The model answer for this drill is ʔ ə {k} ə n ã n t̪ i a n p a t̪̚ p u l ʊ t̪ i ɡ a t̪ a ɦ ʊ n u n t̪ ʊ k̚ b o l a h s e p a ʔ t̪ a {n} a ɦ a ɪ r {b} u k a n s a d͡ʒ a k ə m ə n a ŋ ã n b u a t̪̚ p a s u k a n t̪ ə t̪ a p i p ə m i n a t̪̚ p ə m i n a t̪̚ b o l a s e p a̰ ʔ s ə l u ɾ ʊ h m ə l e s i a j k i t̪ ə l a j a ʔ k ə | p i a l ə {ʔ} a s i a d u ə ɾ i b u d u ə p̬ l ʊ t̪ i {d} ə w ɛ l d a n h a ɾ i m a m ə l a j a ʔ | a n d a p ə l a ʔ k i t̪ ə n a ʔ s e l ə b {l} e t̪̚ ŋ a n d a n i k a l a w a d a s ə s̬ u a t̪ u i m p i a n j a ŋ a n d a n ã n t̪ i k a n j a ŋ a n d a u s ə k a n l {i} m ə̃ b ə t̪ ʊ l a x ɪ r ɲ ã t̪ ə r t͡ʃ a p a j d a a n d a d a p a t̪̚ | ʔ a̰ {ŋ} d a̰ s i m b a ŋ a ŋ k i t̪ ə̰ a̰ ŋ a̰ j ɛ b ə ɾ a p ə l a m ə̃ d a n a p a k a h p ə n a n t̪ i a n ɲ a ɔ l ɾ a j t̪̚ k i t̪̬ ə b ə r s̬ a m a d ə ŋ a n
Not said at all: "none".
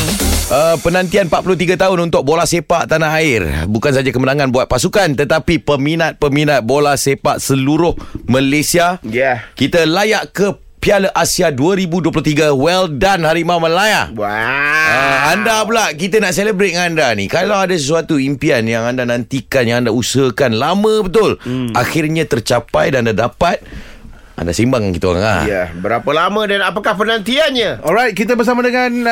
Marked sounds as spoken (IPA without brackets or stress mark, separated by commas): p, n, b, ʔ, ɡ, ɾ, a, n